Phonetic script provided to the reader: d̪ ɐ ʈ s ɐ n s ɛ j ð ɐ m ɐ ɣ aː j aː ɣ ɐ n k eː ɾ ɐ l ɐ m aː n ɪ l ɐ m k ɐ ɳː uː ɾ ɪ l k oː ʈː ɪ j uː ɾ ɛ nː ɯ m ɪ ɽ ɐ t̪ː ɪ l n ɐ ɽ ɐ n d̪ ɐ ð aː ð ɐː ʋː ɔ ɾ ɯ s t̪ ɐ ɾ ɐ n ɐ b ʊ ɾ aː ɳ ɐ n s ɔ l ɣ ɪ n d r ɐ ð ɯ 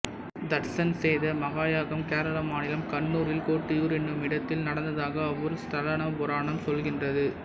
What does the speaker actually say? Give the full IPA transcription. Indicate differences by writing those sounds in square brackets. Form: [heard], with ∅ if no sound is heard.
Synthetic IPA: d̪ ɐ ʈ s ɐ n s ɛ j ð ɐ m ɐ ɣ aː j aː ɣ ɐ [m] k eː ɾ ɐ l ɐ m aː n ɪ l ɐ m k ɐ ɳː uː ɾ ɪ l k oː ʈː ɪ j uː ɾ ɛ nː ɯ m ɪ ɽ ɐ t̪ː ɪ l n ɐ ɽ ɐ n d̪ ɐ ð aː [ɣ] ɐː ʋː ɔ ɾ ɯ s t̪ ɐ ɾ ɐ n ɐ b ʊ ɾ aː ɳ ɐ [m] s ɔ l ɣ ɪ n d r ɐ ð ɯ

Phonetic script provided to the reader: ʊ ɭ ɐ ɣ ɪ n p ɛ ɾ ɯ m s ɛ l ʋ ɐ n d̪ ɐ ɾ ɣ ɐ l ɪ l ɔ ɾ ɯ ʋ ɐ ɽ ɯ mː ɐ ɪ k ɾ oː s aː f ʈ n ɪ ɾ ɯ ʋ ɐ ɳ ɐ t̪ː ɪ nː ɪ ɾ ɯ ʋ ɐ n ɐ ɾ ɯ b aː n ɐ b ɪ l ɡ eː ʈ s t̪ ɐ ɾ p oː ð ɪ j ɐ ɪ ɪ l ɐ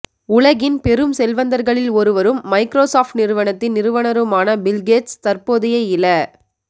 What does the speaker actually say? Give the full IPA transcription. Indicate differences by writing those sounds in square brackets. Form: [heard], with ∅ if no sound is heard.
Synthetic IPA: ʊ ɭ ɐ ɣ ɪ n p ɛ ɾ ɯ m s ɛ l ʋ ɐ n d̪ ɐ ɾ ɣ ɐ [ɭ] ɪ l ɔ ɾ ɯ ʋ ɐ [ɾ] ɯ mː ɐ ɪ k ɾ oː s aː f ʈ n ɪ ɾ ɯ ʋ ɐ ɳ ɐ t̪ː ɪ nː ɪ ɾ ɯ ʋ ɐ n ɐ ɾ ɯ [m] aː n ɐ b ɪ l ɡ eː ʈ s t̪ ɐ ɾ p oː ð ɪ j ɐ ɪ ɪ l ɐ

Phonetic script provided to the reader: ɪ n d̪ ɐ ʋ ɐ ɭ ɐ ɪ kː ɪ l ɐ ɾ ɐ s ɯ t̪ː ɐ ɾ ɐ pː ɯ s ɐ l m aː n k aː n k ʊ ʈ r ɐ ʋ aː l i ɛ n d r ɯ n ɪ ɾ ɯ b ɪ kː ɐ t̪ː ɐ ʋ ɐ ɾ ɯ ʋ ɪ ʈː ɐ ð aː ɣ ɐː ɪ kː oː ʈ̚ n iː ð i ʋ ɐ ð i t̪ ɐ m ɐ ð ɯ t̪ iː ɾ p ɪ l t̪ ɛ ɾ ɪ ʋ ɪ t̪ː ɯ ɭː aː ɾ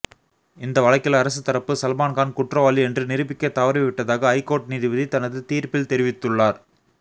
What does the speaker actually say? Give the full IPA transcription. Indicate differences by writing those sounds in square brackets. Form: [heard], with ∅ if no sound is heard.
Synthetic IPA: ɪ n d̪ ɐ ʋ ɐ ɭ ɐ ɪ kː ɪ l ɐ ɾ ɐ s ɯ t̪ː ɐ ɾ ɐ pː ɯ s ɐ l m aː n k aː n k ʊ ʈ r ɐ ʋ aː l i ɛ n d r ɯ n ɪ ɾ ɯ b ɪ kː ɐ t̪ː ɐ ʋ ɐ ɾ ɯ ʋ ɪ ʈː ɐ ð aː ɣ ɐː ɪ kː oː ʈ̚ n iː ð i ʋ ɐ ð i t̪ ɐ [n] ɐ ð ɯ t̪ iː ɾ p ɪ l t̪ ɛ ɾ ɪ ʋ ɪ t̪ː ɯ ɭː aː ɾ

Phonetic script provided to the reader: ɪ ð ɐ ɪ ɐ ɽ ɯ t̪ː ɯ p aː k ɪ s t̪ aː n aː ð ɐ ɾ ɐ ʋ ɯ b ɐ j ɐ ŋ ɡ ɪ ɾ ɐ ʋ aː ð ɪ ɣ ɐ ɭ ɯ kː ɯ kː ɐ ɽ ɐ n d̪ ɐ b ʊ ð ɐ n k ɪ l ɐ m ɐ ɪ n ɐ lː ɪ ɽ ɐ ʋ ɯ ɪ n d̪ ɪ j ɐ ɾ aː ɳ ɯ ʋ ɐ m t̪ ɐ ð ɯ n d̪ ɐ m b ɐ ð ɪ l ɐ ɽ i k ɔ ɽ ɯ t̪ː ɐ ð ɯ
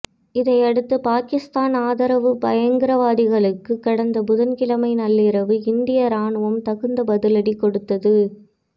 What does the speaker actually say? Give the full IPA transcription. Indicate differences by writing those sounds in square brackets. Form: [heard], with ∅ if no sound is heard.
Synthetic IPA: ɪ ð ɐ ɪ ɐ ɽ ɯ t̪ː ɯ p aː k ɪ s t̪ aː n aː ð ɐ ɾ ɐ ʋ ɯ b ɐ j ɐ ŋ ɡ ɪ ɾ ɐ ʋ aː ð ɪ ɣ ɐ ɭ ɯ kː ɯ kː ɐ ɽ ɐ n d̪ ɐ b ʊ ð ɐ n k ɪ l ɐ m ɐ ɪ n ɐ lː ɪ [ɾ] ɐ ʋ ɯ ɪ n d̪ ɪ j ɐ ɾ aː ɳ ɯ ʋ ɐ m t̪ ɐ [ɣ] ɯ n d̪ ɐ [∅] b ɐ ð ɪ l ɐ ɽ i k ɔ ɽ ɯ t̪ː ɐ ð ɯ

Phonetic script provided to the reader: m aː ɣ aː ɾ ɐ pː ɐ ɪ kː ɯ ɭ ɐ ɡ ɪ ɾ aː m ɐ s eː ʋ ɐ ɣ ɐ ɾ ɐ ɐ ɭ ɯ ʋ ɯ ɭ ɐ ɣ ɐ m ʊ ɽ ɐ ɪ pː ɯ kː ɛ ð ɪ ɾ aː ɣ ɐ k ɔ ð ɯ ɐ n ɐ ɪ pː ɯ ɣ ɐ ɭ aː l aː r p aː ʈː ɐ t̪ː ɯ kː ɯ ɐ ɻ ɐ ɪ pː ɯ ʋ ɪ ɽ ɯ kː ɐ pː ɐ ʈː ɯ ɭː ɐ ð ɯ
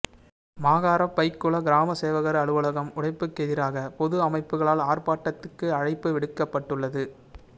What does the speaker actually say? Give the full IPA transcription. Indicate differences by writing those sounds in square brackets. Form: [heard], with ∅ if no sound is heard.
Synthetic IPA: m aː ɣ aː ɾ ɐ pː ɐ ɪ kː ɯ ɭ ɐ ɡ ɪ ɾ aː m ɐ s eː ʋ ɐ ɣ ɐ ɾ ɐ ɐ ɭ ɯ ʋ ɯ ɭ ɐ ɣ ɐ m ʊ ɽ ɐ ɪ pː ɯ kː ɛ ð ɪ ɾ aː ɣ ɐ [p] ɔ ð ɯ ɐ [m] ɐ ɪ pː ɯ ɣ ɐ ɭ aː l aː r p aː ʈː ɐ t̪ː ɯ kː ɯ ɐ ɻ ɐ ɪ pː ɯ ʋ ɪ ɽ ɯ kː ɐ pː ɐ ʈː ɯ ɭː ɐ ð ɯ

